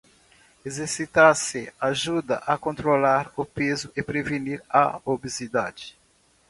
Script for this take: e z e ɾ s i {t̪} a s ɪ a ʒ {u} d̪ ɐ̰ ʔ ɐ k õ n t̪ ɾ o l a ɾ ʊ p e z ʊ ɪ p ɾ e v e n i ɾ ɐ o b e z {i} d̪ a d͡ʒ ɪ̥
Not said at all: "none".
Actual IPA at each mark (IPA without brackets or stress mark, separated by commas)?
t̪, u, i